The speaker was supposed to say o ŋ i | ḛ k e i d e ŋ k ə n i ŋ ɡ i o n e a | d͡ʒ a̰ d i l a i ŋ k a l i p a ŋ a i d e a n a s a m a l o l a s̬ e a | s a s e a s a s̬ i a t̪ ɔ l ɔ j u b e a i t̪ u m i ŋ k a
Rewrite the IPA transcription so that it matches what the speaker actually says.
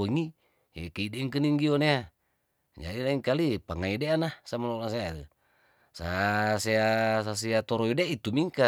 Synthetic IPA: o ŋ i | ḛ k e i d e ŋ k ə n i ŋ ɡ i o n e a | d͡ʒ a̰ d i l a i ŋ k a l i p a ŋ a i d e a n a s a m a l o l a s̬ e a | s a s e a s a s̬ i a t̪ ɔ ɾ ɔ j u d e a i t̪ u m i ŋ k a

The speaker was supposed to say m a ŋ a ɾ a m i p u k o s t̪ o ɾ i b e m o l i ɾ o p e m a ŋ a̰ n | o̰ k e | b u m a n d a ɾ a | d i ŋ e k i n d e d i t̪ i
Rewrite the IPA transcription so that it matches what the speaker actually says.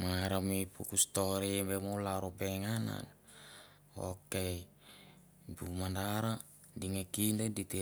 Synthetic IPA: m a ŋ a ɾ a m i p u k u s t̪ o ɾ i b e m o l a ɾ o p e ŋ a n a̰ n | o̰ k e | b u m a n d a ɾ a | d i ŋ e k i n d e d i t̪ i

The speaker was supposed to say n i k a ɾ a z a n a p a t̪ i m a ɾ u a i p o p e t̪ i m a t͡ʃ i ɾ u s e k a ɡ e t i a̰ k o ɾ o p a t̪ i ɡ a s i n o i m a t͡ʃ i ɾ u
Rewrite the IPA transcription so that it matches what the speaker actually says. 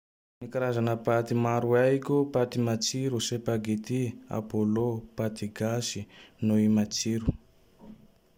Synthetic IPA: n i k a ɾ a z a n a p a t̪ i m a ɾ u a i k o p a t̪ i m a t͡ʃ i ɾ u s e p a ɡ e t i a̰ p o l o p a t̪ i ɡ a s i n o i m a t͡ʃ i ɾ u

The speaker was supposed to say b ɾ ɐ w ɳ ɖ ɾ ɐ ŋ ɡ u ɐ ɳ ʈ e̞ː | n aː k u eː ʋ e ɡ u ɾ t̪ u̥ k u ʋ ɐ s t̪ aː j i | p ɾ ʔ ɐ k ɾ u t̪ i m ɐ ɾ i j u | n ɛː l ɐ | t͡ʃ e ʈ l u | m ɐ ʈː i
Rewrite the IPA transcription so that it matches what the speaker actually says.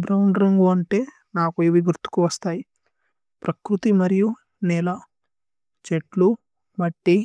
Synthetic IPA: b ɾ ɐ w ɳ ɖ ɾ ɐ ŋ ɡ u ɐ ɳ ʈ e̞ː | n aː k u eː ʋ i ɡ u ɾ t̪ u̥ k u ʋ ɐ s t̪ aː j i | p ɾ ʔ ɐ k ɾ u t̪ i m ɐ ɾ i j u | n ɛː l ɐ | t͡ʃ e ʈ l u | m ɐ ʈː i

